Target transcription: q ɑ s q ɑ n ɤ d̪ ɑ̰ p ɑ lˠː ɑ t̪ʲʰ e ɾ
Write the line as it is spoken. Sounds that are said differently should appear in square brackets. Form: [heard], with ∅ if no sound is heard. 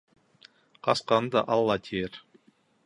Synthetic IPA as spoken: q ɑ s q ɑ n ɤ d̪ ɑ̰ [ʔ] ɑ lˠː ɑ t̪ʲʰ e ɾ